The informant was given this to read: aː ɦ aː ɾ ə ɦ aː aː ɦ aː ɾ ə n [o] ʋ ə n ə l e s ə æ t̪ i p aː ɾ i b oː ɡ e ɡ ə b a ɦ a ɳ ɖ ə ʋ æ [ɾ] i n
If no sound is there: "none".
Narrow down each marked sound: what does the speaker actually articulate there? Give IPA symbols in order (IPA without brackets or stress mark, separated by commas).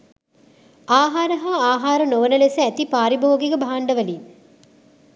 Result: o, l